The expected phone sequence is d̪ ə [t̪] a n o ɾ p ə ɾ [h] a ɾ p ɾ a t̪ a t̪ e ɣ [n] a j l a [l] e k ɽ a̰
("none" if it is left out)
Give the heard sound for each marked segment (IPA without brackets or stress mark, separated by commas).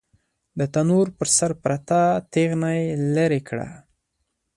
t̪, s, n, ɾ